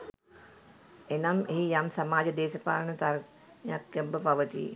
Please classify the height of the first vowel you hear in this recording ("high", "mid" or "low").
mid